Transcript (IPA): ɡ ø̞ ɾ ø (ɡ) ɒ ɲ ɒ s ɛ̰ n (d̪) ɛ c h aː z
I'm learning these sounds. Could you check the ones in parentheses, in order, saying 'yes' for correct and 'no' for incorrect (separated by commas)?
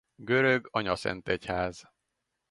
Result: yes, no